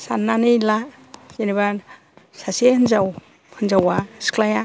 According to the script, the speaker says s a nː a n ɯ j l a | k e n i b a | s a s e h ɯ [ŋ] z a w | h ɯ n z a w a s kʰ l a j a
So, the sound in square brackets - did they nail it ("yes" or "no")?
no